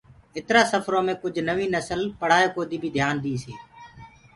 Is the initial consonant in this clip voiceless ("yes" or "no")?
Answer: yes